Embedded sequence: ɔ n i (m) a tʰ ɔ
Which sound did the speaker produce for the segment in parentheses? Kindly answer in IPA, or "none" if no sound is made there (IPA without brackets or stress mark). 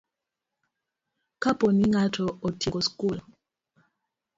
ŋ